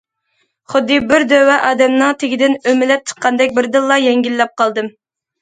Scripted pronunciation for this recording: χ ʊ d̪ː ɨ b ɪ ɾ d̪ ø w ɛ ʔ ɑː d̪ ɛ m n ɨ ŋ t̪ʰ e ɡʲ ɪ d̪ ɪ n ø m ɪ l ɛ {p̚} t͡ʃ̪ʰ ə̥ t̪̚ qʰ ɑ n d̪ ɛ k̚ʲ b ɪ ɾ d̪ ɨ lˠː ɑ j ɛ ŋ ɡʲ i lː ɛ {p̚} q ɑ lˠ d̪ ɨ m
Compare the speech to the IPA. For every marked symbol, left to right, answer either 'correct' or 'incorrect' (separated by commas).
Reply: correct, correct